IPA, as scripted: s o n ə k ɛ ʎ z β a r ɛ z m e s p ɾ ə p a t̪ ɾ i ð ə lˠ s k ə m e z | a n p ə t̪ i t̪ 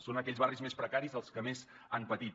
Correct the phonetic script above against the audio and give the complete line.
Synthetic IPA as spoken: s o n ə k ɛ ʎ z β a r i z m e s p ɾ ə k a ɾ i z ə lˠ s k ə m e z | a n p ə t̪ i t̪